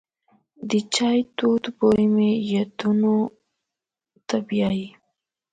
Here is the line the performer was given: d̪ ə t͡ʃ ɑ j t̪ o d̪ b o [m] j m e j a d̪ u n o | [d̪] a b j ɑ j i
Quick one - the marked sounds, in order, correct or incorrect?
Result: incorrect: none, incorrect: t̪

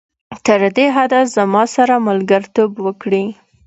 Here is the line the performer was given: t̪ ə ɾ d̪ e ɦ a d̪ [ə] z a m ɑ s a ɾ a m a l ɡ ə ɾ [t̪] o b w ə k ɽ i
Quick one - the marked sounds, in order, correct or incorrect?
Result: incorrect: a, correct

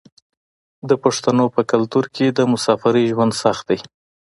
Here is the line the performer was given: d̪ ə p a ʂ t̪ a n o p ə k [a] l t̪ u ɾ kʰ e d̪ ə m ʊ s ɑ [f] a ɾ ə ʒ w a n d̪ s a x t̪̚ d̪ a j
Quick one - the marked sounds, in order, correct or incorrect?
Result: correct, correct

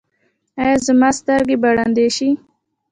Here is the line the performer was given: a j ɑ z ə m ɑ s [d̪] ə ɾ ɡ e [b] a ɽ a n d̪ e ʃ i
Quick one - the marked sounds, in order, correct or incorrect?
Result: incorrect: t̪, correct

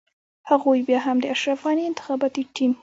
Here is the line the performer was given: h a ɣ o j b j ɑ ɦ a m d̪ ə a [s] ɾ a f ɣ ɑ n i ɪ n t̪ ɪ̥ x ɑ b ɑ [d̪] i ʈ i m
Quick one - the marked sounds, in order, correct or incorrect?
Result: incorrect: ʃ, incorrect: t̪

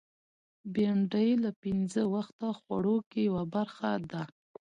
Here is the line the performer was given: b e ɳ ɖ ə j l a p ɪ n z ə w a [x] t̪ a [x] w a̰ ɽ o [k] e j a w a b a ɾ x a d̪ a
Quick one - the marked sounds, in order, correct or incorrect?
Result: correct, correct, correct

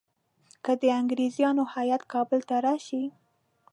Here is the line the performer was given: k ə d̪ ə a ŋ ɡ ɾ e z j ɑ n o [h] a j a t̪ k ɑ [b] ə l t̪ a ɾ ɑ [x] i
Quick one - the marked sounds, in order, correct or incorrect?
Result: correct, correct, incorrect: ʃ

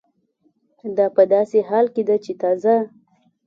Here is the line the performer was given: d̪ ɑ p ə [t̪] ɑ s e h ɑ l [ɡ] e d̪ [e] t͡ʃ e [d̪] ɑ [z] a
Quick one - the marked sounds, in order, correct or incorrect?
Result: incorrect: d̪, incorrect: k, incorrect: a, incorrect: t̪, correct

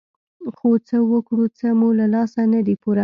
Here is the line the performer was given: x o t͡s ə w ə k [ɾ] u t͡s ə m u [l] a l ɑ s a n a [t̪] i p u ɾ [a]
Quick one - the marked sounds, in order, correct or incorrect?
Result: incorrect: ɽ, correct, incorrect: d̪, correct

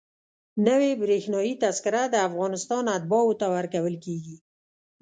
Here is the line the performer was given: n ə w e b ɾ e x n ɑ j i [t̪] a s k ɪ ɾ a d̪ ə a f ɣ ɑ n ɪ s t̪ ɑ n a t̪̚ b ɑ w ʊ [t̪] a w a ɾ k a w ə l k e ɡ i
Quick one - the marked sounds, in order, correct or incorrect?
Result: correct, correct

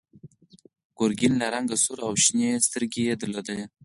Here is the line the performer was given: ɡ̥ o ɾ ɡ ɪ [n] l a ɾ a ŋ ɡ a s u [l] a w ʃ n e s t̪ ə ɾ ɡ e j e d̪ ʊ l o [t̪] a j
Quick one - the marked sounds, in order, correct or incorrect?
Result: correct, incorrect: ɾ, incorrect: d̪

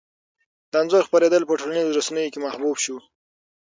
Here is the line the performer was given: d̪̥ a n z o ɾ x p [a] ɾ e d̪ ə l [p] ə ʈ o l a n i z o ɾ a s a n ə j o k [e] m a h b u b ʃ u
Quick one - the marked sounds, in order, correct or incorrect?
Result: correct, correct, correct

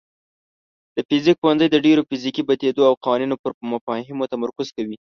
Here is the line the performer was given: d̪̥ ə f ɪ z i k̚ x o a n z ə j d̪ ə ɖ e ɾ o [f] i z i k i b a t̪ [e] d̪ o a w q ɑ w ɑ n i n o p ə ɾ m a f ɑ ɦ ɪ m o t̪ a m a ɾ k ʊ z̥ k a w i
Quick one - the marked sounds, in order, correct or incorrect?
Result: correct, correct

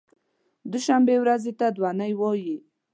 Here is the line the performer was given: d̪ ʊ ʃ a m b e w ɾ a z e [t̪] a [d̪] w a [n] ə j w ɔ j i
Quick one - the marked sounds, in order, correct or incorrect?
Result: correct, correct, correct

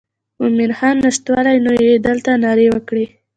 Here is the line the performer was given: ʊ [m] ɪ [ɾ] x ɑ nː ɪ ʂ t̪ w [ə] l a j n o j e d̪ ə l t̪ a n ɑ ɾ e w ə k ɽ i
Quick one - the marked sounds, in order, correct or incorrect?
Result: correct, correct, incorrect: ɑ

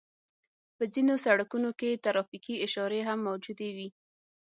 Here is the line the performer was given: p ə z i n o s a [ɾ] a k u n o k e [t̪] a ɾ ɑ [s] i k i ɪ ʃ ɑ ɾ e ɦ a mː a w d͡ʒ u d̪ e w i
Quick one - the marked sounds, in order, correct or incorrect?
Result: incorrect: ɽ, correct, incorrect: f

